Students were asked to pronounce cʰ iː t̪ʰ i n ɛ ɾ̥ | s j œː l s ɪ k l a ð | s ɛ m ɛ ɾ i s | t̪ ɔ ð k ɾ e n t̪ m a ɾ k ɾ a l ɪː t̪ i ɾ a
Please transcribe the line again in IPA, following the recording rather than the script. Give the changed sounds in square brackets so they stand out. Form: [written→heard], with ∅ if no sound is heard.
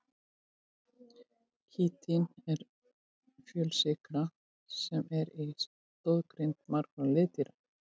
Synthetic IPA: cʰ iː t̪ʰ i n ɛ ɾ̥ | [s→f] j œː l s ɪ k [l→ɾ] a [ð→∅] | s ɛ m ɛ ɾ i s | t̪ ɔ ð k ɾ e n t̪ m a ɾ k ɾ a l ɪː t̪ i ɾ a

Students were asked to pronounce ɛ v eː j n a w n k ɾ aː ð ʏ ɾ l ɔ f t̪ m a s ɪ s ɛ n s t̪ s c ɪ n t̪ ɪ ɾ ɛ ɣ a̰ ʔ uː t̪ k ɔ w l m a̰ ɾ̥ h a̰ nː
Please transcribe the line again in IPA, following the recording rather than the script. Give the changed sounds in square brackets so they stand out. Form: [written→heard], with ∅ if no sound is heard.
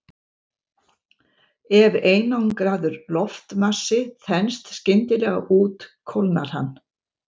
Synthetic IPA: ɛ v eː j n a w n k ɾ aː ð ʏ ɾ l ɔ f t̪ m a s ɪ [s→θ] ɛ n s t̪ s c ɪ n t̪ ɪ [ɾ→l] ɛ ɣ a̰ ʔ uː t̪ [k→kʰ] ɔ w l [m→n] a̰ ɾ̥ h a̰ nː

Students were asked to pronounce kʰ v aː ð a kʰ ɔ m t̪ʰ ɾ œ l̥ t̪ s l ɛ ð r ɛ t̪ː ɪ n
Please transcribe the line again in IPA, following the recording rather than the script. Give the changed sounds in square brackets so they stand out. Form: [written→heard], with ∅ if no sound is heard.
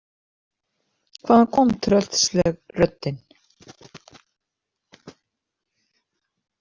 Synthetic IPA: kʰ v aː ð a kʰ ɔ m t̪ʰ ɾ œ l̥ t̪ s l ɛ [ð→ɣ] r [ɛ→œ] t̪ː ɪ n

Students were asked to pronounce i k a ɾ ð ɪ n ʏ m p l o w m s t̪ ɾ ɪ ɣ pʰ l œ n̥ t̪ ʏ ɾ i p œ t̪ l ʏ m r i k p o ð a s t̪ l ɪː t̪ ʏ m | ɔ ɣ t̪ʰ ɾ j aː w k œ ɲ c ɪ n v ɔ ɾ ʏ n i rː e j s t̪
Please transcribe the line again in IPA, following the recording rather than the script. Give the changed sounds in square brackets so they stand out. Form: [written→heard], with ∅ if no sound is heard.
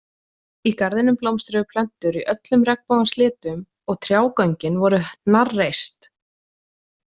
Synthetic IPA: i k a ɾ ð ɪ n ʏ m p l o w m s t̪ ɾ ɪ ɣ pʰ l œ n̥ t̪ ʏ ɾ i [p→ʔ] œ t̪ l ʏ m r [i→ɛ] k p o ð a s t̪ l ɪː t̪ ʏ m | ɔ ɣ t̪ʰ ɾ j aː w k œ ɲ c ɪ n v ɔ ɾ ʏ n [i→a] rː e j s t̪

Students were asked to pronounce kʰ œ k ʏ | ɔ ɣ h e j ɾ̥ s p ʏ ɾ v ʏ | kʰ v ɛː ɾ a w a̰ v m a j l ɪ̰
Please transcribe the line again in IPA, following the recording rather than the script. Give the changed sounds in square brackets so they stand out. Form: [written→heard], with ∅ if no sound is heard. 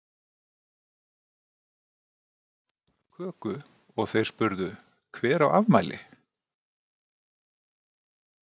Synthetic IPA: kʰ [œ→œː] k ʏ | ɔ ɣ [h→θ] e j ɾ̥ s p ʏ ɾ [v→ð] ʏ | kʰ v ɛː ɾ a w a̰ v m a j l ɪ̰

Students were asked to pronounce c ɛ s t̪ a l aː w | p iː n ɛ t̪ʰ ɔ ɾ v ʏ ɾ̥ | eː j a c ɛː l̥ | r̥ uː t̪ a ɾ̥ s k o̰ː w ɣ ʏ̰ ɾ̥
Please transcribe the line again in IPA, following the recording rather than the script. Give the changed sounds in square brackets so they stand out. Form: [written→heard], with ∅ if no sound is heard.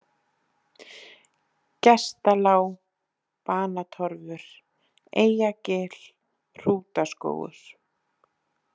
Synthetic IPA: c ɛ s t̪ a l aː w | p [iː→aː] n [ɛ→a] t̪ʰ ɔ ɾ v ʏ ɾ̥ | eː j a c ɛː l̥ | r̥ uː t̪ a [ɾ̥→∅] s k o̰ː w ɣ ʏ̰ ɾ̥

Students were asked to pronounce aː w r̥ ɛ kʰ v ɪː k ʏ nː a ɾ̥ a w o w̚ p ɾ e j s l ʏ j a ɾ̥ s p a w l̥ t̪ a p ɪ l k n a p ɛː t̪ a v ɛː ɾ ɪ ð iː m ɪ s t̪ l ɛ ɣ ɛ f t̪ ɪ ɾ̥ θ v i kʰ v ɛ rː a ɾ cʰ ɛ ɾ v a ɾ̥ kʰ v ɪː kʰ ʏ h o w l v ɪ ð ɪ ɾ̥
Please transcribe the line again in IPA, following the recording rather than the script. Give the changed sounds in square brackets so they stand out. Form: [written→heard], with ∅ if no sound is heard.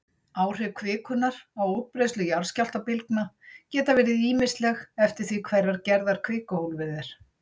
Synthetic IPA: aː w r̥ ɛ kʰ v ɪː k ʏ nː a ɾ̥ a w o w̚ p ɾ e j s l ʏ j a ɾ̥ s [p→c] a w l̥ t̪ a p ɪ l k n a [p→c] ɛː t̪ a v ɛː ɾ ɪ ð iː m ɪ s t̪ l ɛ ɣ ɛ f t̪ ɪ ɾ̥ θ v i kʰ v ɛ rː a ɾ [cʰ→c] ɛ ɾ [v→ð] a ɾ̥ kʰ v ɪː [kʰ→k] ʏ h o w l v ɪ ð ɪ ɾ̥

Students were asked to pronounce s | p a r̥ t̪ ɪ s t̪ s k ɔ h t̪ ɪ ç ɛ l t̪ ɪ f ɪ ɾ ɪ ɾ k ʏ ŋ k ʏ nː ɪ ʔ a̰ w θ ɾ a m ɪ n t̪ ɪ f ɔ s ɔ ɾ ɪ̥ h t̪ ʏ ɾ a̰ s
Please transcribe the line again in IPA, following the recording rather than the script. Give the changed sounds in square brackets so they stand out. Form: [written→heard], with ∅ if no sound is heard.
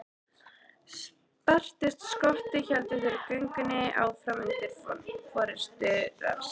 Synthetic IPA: s | p a r̥ t̪ ɪ s t̪ s k ɔ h t̪ ɪ ç ɛ l t̪ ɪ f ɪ ɾ ɪ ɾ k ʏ ŋ k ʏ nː ɪ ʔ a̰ w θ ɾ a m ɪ n t̪ ɪ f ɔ [s→f] ɔ ɾ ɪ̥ [h→s] t̪ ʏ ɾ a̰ s

